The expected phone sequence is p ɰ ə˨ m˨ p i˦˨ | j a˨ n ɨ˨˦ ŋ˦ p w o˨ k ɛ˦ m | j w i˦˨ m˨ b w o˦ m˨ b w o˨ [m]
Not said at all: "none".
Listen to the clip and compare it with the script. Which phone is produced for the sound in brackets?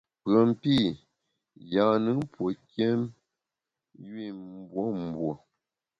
none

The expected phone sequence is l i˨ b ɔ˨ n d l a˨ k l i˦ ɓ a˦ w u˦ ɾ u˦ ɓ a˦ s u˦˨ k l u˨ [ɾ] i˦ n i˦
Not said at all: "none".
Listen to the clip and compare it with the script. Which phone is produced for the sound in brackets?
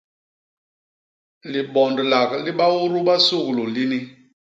l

